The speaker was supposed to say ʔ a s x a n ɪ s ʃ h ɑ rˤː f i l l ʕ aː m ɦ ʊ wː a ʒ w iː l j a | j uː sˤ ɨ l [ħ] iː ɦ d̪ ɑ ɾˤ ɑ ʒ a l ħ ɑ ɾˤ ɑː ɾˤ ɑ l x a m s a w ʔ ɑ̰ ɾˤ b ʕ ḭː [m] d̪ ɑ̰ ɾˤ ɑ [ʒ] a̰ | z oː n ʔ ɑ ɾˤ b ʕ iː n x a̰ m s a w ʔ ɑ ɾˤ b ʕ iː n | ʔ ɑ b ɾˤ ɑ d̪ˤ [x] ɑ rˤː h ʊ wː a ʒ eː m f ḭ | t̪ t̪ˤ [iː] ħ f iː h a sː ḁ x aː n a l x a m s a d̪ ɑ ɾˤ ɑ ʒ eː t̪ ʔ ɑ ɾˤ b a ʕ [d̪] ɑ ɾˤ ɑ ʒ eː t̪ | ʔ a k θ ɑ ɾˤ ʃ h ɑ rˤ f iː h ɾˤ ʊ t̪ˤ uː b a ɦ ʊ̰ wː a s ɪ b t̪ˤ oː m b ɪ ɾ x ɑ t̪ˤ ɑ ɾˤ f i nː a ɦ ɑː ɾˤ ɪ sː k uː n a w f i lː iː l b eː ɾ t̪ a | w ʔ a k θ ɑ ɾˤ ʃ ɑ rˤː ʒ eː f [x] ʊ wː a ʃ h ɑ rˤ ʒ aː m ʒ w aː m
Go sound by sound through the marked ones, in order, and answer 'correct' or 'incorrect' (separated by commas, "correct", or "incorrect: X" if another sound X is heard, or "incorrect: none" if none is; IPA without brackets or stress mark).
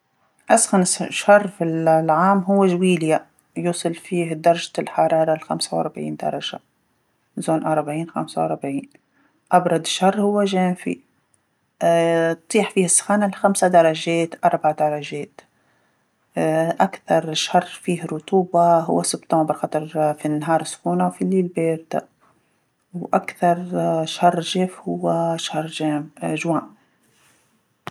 incorrect: f, incorrect: n, correct, incorrect: ʃ, correct, correct, incorrect: h